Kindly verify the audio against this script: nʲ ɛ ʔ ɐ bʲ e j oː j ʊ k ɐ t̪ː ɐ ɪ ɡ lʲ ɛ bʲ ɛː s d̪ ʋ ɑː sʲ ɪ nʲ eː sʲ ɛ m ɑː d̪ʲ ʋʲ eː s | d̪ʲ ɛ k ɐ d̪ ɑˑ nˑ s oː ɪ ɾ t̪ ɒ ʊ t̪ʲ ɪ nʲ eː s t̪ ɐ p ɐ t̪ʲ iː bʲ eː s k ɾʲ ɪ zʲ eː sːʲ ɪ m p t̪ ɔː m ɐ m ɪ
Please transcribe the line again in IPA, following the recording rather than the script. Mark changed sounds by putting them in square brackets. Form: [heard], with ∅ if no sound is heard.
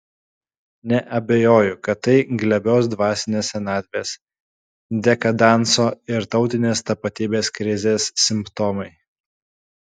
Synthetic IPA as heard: nʲ ɛ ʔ ɐ bʲ e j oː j ʊ k ɐ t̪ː ɐ ɪ ɡ lʲ ɛ bʲ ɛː s d̪ ʋ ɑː sʲ ɪ nʲ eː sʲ ɛ [n] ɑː d̪ʲ ʋʲ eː s | d̪ʲ ɛ k ɐ d̪ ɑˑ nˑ s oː ɪ ɾ t̪ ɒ ʊ t̪ʲ ɪ nʲ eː s t̪ ɐ p ɐ t̪ʲ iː bʲ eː s k ɾʲ ɪ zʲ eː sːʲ ɪ m p t̪ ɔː m ɐ [∅] ɪ